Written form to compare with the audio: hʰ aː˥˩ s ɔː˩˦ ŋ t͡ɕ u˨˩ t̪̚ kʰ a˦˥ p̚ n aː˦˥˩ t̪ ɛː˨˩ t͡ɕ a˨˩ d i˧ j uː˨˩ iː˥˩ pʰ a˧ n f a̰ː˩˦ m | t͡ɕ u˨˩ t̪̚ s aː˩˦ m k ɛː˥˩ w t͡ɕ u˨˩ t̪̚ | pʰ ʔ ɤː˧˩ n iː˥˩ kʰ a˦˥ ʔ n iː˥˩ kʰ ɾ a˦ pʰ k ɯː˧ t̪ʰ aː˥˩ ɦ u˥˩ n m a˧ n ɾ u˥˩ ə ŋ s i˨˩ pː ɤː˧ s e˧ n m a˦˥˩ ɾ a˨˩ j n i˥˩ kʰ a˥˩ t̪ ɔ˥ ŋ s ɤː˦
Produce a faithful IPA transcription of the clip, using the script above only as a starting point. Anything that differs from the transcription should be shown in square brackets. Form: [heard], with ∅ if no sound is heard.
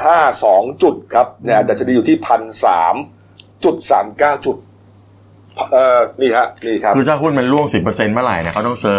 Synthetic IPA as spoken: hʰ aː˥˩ s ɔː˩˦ ŋ t͡ɕ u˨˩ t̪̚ kʰ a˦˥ p̚ n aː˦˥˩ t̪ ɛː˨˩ t͡ɕ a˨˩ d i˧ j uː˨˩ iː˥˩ pʰ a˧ n [s] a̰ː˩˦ m | t͡ɕ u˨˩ t̪̚ s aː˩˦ m k [aː˥˩] w t͡ɕ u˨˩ t̪̚ | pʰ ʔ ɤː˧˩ n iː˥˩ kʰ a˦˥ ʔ n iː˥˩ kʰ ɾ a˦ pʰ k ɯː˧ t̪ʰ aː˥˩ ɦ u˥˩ n m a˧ n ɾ u˥˩ ə ŋ s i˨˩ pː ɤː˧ s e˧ n m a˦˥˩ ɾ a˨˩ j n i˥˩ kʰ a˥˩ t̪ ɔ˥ ŋ s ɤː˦